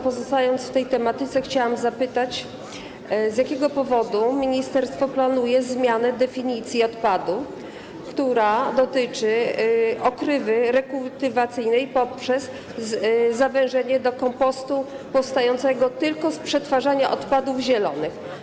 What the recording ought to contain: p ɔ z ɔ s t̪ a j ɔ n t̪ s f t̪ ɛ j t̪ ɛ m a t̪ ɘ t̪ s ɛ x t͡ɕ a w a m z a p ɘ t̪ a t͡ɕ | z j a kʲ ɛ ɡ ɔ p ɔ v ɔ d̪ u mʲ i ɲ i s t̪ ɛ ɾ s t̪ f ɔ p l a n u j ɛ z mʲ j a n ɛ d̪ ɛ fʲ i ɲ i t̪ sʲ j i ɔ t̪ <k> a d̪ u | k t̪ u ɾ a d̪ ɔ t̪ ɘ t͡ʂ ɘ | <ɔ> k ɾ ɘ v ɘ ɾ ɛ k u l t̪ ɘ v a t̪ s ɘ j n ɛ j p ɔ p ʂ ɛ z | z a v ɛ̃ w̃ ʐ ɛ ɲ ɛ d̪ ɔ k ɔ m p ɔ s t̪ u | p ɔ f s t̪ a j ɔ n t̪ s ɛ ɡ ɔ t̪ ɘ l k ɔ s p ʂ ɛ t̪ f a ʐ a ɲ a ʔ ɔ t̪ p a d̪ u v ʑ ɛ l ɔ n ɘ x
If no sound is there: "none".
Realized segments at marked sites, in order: p, ɔ

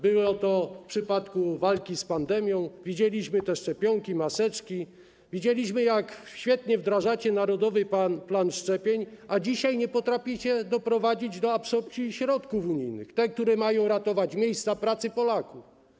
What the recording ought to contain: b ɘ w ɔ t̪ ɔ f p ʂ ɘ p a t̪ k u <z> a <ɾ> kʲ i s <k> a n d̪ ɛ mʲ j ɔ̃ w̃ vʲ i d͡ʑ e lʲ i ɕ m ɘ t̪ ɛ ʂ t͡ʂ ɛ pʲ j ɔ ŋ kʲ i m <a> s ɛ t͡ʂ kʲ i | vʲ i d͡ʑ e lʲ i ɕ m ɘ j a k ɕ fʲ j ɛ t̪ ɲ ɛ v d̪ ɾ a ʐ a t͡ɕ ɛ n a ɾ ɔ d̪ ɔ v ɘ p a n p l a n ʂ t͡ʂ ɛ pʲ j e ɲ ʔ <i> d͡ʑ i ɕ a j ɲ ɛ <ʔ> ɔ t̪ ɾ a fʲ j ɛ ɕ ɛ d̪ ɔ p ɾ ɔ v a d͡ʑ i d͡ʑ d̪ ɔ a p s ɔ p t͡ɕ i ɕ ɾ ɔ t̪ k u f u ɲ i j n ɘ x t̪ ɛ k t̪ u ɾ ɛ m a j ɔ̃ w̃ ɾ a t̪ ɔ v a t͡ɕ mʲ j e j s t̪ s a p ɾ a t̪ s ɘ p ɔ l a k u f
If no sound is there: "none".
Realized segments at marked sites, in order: v, l, p, a, a, p

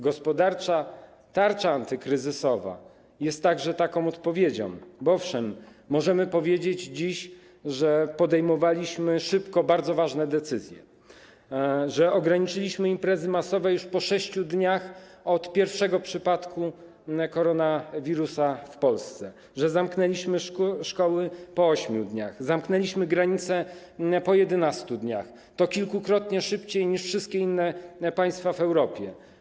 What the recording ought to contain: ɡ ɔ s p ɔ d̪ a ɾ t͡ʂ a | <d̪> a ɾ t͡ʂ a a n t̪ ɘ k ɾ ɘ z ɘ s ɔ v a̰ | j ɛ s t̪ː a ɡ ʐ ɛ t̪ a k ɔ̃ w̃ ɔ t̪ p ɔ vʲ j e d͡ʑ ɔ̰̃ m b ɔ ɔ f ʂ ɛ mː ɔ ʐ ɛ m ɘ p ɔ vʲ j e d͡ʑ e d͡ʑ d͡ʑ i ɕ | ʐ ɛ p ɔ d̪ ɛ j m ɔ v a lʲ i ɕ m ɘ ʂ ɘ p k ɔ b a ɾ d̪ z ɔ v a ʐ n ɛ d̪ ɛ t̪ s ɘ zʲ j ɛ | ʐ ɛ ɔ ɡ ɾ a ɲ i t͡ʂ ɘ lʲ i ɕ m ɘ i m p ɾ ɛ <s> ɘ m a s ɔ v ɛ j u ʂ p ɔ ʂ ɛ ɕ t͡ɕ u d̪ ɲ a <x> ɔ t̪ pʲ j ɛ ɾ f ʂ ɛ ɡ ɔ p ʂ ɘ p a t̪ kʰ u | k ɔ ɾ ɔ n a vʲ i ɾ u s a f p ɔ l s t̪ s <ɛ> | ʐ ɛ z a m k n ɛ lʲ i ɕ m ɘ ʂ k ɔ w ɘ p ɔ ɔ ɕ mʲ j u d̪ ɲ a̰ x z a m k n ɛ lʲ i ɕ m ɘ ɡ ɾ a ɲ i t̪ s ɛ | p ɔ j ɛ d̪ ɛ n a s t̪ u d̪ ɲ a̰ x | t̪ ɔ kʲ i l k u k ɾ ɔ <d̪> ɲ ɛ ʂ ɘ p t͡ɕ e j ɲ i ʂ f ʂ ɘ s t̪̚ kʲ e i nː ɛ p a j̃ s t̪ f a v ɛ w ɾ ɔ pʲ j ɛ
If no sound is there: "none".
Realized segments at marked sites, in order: t̪, z, x, ɛ, t̪

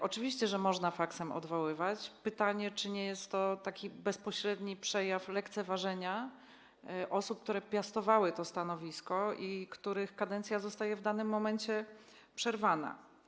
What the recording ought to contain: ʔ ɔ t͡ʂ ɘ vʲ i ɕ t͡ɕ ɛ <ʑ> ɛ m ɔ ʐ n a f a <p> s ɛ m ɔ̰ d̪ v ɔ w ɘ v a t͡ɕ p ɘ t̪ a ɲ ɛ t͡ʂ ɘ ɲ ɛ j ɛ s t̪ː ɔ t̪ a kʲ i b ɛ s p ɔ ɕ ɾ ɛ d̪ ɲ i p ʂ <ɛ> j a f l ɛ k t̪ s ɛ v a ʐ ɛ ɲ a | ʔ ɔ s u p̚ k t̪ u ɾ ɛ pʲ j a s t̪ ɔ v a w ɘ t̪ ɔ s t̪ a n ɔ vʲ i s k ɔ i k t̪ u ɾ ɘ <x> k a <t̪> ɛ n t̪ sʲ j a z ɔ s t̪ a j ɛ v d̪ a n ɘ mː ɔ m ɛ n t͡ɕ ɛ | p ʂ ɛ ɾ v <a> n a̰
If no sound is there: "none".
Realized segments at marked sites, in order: ʐ, k, ɛ, x, d̪, a

